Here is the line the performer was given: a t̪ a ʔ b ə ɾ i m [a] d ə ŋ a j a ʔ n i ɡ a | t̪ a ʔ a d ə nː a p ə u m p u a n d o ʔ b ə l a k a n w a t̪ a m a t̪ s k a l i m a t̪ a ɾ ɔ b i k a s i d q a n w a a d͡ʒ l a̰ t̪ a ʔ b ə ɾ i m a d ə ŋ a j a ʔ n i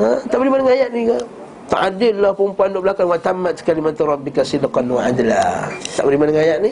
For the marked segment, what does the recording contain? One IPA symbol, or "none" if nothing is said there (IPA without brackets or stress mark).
a